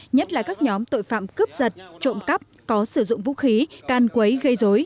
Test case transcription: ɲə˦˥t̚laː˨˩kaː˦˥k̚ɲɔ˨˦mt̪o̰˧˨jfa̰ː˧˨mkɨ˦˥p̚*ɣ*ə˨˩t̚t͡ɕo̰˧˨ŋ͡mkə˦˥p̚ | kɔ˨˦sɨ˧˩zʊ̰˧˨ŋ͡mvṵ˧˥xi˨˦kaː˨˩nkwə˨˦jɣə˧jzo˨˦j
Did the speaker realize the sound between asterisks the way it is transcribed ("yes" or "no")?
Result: no